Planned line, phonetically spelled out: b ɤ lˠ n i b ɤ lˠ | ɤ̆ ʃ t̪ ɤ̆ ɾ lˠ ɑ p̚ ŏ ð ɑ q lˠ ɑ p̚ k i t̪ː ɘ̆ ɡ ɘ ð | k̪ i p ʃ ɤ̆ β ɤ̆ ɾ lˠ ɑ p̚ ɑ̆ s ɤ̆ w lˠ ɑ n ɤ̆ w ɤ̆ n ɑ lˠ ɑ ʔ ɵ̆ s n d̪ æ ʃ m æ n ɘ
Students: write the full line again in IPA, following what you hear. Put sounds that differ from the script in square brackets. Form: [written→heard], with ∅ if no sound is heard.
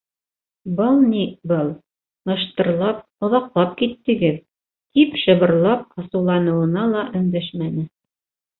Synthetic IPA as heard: b ɤ lˠ n i b ɤ lˠ | ɤ̆ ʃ t̪ ɤ̆ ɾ lˠ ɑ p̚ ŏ ð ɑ q lˠ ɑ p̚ k i t̪ː ɘ̆ ɡ ɘ ð | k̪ i p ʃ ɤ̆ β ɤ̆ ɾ lˠ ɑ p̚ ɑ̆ s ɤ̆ w lˠ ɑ n ɤ̆ w ɤ̆ n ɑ lˠ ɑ ʔ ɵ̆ [s→∅] n d̪ æ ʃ m æ n ɘ